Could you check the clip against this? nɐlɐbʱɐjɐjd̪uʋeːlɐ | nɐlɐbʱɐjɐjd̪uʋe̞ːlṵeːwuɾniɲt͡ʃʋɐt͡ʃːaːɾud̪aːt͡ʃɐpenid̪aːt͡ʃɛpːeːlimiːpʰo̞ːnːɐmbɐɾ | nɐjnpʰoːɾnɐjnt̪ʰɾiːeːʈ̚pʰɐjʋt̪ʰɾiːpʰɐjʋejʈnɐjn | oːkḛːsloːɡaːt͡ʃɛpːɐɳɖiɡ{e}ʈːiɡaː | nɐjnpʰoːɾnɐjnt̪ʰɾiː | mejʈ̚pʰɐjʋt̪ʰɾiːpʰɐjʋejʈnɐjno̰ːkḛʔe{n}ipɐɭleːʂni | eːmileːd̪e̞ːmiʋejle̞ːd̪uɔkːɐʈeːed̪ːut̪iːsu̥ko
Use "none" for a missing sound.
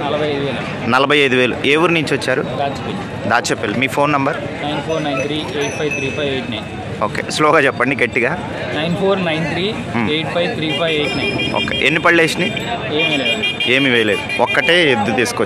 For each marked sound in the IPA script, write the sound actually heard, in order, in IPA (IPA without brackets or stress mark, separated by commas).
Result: e, nː